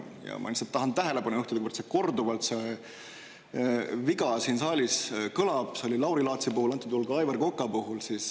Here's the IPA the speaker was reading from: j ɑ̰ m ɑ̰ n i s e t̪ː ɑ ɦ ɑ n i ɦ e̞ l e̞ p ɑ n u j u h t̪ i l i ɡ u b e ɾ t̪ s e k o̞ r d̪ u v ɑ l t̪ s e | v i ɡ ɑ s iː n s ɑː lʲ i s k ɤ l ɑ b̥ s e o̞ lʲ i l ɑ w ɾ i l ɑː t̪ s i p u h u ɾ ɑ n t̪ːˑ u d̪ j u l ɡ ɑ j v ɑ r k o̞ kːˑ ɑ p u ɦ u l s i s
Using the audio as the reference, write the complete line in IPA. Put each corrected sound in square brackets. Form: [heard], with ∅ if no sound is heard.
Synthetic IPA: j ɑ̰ m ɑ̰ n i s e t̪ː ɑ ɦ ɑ n [æ] ɦ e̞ l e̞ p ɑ n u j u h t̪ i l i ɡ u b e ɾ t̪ s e k o̞ r d̪ u v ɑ l t̪ s e | v i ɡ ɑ s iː n s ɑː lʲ i s k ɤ l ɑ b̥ s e o̞ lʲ i l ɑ w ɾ i l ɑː t̪ s i p u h u [l] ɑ n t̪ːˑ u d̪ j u l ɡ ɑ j v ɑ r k o̞ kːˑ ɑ p u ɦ u l s i s